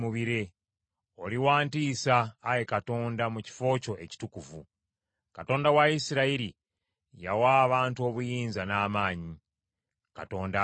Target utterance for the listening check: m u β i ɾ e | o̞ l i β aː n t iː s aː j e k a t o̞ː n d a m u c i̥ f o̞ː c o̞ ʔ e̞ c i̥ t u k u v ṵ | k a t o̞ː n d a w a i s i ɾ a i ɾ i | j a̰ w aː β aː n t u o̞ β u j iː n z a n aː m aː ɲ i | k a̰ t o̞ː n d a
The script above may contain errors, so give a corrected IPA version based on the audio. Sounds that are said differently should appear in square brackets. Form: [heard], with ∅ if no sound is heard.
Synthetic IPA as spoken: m u β i ɾ e | o̞ l i [w] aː n t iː s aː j e k a t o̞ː n d a m u c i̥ f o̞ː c o̞ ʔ e̞ c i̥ t u k u v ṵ | k a t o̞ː n d a w a i s i ɾ a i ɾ i | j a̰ w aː β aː n t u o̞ β u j iː n z a n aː m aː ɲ i | k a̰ t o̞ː n d a